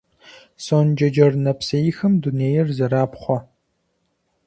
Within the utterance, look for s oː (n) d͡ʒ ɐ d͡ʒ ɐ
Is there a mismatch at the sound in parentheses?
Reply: no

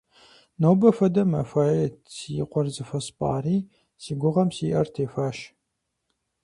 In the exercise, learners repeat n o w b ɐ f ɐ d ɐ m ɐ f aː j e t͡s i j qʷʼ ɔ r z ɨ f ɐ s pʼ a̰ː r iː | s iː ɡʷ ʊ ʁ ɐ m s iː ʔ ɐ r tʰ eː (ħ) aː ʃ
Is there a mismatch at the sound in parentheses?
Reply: yes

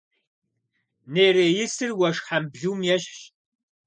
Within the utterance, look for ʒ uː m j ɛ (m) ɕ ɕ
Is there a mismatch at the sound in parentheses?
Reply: yes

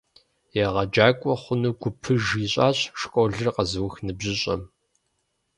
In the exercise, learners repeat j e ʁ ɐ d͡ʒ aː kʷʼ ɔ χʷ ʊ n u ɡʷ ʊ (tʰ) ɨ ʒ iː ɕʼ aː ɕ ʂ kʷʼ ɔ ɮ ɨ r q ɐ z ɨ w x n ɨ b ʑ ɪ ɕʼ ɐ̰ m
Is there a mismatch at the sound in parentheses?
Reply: yes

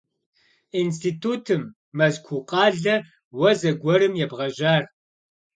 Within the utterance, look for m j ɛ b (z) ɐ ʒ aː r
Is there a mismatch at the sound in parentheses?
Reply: yes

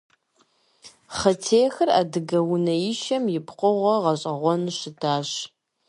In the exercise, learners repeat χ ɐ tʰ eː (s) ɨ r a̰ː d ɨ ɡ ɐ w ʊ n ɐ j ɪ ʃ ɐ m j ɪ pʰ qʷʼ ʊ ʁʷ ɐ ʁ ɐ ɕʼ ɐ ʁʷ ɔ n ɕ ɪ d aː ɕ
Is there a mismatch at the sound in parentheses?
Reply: yes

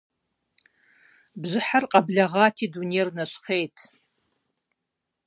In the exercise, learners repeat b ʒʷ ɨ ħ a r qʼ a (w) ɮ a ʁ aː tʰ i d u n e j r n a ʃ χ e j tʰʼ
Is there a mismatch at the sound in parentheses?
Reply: yes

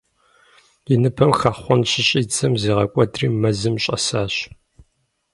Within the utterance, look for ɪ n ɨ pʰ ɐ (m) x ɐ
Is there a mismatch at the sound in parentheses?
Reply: no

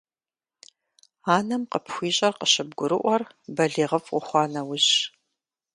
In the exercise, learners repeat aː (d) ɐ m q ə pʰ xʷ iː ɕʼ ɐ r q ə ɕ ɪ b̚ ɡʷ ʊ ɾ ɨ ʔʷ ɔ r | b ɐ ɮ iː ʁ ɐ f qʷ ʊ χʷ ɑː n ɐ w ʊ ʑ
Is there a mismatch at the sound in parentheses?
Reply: yes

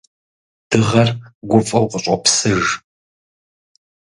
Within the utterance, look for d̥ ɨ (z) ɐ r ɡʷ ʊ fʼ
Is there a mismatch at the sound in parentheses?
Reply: yes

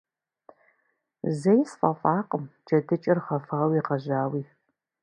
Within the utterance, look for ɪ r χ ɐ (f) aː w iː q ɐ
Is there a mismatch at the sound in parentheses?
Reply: no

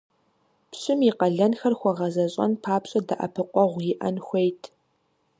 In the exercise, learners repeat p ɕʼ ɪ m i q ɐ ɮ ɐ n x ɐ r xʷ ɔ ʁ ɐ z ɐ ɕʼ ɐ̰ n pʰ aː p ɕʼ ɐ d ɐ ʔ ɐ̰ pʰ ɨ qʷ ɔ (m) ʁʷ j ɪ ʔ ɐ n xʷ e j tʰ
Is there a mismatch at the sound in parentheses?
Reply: yes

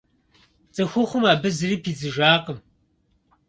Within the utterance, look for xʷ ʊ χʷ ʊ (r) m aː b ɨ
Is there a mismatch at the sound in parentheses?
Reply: yes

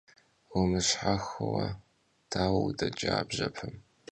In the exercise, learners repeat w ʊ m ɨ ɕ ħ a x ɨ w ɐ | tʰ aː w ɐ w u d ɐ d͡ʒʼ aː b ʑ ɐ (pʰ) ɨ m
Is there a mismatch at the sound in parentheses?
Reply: no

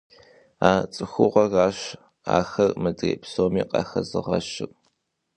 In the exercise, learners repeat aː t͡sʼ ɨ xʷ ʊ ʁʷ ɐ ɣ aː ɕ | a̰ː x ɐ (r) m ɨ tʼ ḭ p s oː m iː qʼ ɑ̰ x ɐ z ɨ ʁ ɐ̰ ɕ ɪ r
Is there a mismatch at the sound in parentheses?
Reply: no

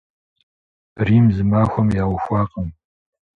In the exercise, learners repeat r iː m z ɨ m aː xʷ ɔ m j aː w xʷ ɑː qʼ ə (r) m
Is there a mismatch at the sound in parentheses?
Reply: yes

